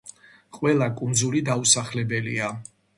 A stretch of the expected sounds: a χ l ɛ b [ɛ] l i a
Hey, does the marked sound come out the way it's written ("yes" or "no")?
yes